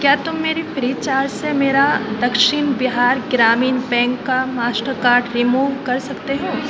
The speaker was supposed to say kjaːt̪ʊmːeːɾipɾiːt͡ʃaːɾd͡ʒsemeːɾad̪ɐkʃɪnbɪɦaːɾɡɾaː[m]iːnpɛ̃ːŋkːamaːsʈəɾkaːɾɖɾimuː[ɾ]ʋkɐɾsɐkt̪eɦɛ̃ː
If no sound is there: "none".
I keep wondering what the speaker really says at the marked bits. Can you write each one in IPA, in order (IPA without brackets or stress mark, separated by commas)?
m, none